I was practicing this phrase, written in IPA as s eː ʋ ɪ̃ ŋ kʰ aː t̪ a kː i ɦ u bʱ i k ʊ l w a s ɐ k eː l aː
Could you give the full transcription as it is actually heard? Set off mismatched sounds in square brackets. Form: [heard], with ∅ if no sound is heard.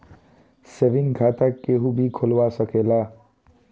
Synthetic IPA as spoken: s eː ʋ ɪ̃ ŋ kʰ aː t̪ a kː [e] ɦ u bʱ i [kʰ] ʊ l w a s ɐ k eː l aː